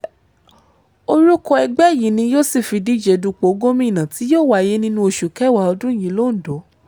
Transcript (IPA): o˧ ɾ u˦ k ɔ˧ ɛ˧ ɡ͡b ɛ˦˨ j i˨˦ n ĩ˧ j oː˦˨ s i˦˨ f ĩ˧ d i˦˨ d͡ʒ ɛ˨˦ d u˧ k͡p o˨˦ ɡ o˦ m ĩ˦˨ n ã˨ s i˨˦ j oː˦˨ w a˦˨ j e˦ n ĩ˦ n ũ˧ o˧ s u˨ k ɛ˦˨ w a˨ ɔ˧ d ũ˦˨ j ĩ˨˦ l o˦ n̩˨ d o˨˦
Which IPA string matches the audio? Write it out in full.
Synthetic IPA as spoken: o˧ ɾ u˦ k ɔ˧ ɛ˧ ɡ͡b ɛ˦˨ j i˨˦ n ĩ˧ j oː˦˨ s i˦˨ f i˧ d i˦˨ d͡ʒ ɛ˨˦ d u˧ k͡p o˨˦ ɡ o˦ m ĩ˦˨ n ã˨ t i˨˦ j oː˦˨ w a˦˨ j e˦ n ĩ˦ n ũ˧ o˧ ʃ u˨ k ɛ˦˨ w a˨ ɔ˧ d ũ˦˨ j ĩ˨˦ l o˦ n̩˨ d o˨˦